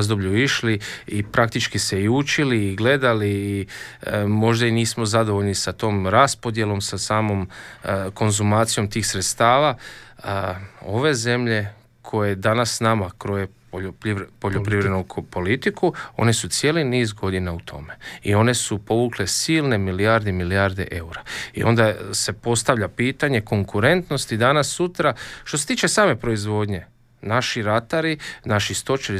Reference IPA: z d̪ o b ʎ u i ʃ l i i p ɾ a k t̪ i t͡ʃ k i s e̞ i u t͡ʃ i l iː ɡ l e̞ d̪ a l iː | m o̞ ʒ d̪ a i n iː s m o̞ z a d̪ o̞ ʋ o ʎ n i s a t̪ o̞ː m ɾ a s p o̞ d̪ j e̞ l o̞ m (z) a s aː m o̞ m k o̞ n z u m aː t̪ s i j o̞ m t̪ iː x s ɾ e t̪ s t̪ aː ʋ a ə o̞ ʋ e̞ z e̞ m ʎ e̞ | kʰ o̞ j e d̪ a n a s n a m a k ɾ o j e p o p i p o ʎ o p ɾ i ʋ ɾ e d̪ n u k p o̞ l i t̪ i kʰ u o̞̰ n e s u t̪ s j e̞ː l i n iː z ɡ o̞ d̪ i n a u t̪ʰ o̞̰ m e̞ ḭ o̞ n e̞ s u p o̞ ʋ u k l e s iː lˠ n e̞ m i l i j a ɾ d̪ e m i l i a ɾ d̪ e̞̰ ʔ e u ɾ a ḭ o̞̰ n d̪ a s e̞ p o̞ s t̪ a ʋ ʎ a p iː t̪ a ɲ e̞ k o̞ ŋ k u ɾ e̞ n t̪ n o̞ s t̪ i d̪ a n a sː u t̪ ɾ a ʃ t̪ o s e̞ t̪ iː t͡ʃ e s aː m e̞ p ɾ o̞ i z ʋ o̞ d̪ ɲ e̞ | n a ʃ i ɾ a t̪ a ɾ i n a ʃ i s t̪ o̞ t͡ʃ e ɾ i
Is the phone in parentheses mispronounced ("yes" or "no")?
yes